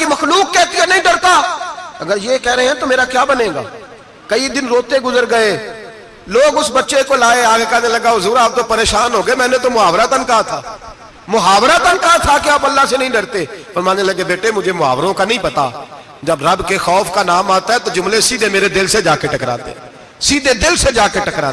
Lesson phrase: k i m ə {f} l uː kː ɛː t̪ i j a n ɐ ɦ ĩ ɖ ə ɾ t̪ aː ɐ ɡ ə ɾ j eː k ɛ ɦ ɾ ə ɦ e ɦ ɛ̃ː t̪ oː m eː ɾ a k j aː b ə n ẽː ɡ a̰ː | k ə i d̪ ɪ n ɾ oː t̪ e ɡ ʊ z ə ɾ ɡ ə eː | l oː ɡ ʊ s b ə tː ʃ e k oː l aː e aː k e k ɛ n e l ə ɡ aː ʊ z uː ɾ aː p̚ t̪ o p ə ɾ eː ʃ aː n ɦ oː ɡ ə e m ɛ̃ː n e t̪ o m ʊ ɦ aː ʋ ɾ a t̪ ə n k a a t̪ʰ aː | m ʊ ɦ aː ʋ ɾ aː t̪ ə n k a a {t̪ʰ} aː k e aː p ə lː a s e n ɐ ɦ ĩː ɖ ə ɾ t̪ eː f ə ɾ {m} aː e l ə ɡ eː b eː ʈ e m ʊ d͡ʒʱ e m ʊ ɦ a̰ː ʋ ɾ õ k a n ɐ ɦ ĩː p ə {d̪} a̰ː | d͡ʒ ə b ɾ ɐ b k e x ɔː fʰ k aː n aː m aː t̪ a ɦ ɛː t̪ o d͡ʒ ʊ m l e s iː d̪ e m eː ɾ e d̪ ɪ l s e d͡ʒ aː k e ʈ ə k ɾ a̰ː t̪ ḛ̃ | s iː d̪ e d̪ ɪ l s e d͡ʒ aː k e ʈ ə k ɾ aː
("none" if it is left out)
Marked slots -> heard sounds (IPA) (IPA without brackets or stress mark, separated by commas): x, t̪ʰ, m, t̪